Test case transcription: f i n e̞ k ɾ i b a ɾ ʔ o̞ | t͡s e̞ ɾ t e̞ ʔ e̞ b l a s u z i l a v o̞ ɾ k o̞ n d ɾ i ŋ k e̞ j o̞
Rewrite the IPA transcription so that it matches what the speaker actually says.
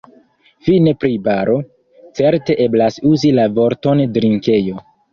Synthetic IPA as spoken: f i n e̞ p ɾ i b a ɾ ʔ o̞ | t͡s e̞ ɾ t e̞ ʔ e̞ b l a s u z i l a v o̞ ɾ t o̞ n d ɾ i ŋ k e̞ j o̞

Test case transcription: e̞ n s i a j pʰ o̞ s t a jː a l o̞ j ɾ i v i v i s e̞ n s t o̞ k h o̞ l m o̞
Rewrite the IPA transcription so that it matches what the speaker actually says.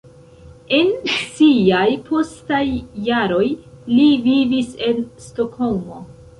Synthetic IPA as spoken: e̞ n s i a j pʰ o̞ s t a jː a ɾ o̞ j l i v i v i s e̞ n s t o̞ k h o̞ l m o̞

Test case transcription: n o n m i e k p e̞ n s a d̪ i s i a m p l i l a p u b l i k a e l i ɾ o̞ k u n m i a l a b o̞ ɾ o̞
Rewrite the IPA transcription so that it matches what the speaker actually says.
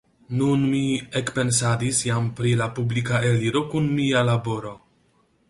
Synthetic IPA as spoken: n u n m i e k p e̞ n s a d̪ i s j a m p ɾ i l a p u b l i k a e l i ɾ o̞ k u n m i a l a b o̞ ɾ o̞

